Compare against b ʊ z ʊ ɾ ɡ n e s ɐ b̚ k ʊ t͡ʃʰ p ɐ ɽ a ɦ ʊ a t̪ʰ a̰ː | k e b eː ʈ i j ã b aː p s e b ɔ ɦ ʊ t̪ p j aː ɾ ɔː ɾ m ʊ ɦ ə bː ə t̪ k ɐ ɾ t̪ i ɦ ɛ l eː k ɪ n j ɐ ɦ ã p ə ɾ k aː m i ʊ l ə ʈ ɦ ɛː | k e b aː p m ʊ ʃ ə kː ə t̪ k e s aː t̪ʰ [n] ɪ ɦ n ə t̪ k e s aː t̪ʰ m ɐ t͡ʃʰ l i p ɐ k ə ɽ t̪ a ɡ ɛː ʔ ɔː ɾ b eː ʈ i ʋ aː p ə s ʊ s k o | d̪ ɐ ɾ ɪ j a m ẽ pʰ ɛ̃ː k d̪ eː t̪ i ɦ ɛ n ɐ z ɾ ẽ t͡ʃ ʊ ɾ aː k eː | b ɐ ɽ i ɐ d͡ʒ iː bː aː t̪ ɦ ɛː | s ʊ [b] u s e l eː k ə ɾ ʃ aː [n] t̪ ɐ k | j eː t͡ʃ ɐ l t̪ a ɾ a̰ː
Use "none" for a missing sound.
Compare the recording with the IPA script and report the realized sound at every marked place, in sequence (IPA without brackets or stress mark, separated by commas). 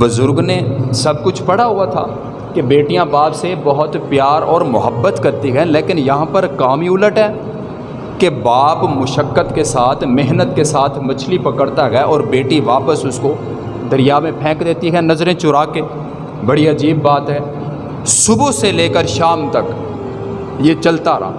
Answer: m, b, m